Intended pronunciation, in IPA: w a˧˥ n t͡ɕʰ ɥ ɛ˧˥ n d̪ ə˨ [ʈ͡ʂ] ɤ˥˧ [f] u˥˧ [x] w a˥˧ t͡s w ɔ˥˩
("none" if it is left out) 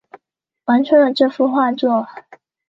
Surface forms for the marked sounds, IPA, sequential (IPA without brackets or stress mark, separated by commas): ʈ͡ʂ, f, x